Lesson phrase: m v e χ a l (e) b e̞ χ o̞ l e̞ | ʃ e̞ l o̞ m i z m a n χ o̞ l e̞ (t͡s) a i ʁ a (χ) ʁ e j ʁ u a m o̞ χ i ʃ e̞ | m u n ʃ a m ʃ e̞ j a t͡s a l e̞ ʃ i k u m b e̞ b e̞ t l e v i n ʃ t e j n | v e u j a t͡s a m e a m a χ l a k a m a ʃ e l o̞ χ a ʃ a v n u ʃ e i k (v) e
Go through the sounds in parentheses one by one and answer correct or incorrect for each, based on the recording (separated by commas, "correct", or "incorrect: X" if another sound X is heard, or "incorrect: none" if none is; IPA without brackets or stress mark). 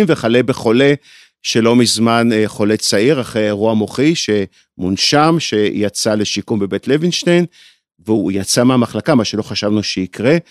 correct, correct, correct, incorrect: ʁ